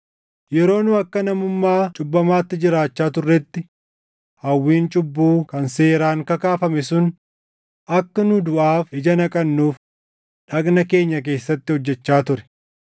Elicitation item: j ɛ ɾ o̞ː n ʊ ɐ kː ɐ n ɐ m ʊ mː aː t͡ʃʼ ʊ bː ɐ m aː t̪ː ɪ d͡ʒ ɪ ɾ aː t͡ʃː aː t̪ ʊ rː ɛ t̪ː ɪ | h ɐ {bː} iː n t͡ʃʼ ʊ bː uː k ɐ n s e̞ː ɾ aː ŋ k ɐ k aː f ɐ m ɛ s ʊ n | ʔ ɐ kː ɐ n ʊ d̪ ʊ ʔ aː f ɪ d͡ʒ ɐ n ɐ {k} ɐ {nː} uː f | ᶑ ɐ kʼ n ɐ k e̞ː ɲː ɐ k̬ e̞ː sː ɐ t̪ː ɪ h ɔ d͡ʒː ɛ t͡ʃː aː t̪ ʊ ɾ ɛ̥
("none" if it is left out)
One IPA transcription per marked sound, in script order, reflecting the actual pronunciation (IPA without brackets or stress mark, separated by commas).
wː, kʼ, nː